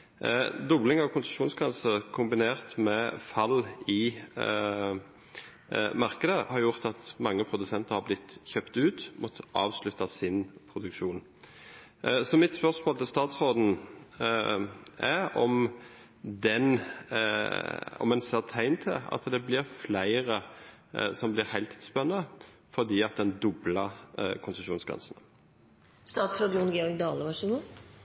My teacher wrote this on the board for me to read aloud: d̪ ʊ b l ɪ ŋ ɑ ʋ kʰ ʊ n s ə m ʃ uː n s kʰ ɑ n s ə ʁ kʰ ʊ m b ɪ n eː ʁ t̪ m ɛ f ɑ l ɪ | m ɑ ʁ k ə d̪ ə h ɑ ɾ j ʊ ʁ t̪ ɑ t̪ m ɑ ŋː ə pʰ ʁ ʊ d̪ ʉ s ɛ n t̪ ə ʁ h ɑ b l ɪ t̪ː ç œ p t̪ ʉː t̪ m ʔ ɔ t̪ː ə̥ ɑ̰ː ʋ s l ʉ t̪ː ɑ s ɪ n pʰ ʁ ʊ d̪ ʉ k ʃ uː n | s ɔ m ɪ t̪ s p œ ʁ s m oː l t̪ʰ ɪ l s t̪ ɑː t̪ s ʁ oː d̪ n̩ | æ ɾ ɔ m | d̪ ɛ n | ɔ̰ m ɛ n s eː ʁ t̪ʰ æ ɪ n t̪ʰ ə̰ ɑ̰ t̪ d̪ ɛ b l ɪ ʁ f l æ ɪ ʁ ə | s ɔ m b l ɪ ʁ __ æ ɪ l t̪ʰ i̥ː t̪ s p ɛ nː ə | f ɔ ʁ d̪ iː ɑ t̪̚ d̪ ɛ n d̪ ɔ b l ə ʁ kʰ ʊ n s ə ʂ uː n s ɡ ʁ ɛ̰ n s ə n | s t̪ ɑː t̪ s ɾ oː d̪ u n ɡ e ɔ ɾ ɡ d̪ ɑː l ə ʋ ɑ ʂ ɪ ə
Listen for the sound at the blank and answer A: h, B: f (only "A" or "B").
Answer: A